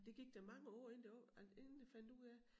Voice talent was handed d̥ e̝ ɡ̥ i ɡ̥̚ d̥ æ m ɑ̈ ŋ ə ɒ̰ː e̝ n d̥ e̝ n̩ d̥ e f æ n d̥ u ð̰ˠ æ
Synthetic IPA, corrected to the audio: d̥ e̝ ɡ̥ i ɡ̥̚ d̥ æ m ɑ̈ ŋ ə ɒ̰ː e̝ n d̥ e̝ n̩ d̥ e f æ n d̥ u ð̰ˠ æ